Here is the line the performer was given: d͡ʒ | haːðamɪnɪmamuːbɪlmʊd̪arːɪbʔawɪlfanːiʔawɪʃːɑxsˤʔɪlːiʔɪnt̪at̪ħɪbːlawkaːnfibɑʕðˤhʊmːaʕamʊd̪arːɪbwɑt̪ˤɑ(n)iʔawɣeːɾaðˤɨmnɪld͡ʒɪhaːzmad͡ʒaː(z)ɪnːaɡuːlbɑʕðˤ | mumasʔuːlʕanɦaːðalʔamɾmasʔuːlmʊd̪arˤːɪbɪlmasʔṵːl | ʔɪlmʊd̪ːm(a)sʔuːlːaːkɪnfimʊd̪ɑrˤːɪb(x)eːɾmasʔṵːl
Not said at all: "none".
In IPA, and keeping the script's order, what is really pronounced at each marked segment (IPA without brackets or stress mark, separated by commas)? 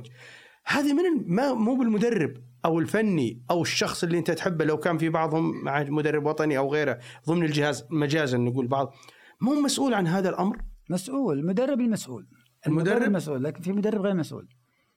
n, z, a, ɣ